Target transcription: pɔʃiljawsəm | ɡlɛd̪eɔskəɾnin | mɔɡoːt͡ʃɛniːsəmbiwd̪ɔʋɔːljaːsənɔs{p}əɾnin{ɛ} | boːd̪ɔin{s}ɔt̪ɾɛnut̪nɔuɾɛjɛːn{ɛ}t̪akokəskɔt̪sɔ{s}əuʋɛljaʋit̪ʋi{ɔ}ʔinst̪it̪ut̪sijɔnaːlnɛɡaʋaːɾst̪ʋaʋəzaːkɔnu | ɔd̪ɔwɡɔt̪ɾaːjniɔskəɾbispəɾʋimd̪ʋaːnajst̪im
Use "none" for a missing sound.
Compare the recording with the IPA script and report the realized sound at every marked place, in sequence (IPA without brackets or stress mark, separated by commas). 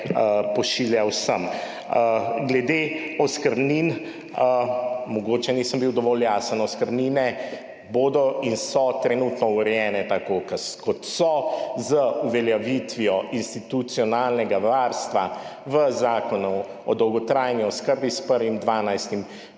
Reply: k, ɛ, s, ɛ, z, ɔ